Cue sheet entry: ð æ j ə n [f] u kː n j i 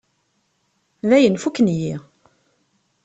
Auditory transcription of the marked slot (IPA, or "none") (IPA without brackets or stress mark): f